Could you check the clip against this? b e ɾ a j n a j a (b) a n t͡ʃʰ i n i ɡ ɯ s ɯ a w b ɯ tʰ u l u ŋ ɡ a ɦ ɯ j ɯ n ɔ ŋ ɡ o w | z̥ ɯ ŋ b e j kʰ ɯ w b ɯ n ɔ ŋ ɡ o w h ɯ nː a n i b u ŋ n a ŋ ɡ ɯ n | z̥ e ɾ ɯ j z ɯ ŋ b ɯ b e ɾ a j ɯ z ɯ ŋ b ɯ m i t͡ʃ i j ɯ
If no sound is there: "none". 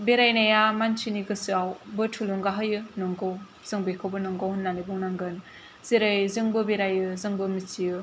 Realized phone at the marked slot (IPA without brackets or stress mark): m